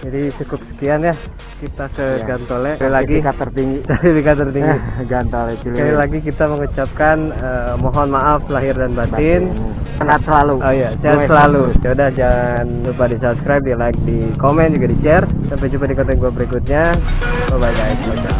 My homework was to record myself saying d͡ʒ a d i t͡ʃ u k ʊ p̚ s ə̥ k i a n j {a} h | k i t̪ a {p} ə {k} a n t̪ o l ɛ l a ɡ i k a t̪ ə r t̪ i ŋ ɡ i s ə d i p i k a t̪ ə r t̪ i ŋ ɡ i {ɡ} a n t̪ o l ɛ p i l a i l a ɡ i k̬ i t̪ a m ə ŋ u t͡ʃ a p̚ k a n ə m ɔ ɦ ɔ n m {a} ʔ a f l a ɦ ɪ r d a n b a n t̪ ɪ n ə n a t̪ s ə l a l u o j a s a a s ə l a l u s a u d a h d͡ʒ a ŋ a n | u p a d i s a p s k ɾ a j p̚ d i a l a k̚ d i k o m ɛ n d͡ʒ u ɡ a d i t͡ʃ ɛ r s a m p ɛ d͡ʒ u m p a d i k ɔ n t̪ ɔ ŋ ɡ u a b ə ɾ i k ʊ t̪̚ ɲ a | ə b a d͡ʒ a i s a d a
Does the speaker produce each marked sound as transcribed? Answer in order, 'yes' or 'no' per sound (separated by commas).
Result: yes, no, no, yes, yes